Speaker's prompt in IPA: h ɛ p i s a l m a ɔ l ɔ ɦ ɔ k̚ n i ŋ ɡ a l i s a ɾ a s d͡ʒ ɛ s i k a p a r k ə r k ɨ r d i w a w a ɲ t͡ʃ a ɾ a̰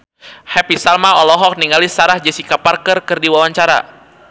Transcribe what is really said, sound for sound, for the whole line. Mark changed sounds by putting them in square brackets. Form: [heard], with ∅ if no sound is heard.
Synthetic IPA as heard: h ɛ p i s a l m a ɔ l ɔ ɦ ɔ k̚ n i ŋ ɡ a l i s a ɾ a [h] d͡ʒ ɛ s i k a p a r k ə r k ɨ r d i w a w a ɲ t͡ʃ a ɾ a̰

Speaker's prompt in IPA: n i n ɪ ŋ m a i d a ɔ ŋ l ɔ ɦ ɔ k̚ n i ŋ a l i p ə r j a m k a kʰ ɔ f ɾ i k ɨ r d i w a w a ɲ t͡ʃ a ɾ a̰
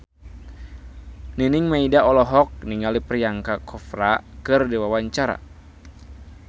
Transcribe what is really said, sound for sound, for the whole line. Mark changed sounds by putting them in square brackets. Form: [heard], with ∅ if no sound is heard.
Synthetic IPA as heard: n i n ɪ ŋ m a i d a ɔ [∅] l ɔ ɦ ɔ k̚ n i ŋ a l i p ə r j a [ŋ] k a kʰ ɔ f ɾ [a] k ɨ r d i w a w a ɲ t͡ʃ a ɾ a̰

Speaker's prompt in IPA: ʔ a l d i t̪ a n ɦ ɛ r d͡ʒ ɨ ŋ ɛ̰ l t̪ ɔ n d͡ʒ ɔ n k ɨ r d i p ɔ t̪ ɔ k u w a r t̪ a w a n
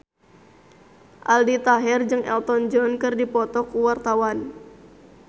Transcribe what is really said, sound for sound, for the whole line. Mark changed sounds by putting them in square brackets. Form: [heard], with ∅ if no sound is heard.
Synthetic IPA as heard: ʔ a l d i t̪ a [∅] ɦ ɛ r d͡ʒ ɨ ŋ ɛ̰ l t̪ ɔ n d͡ʒ ɔ n k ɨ r d i p ɔ t̪ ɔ k u w a r t̪ a w a n

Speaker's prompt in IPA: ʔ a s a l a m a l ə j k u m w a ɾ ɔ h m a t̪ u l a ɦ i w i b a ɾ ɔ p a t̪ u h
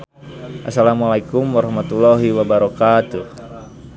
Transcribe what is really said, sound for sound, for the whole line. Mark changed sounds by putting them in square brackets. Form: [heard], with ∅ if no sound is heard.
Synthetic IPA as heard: ʔ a s a l a m a l [a] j k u m w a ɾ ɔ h m a t̪ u l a ɦ i w [a] b a ɾ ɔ [k] a t̪ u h

